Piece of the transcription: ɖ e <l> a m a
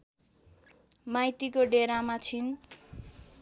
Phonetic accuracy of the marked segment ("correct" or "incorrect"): incorrect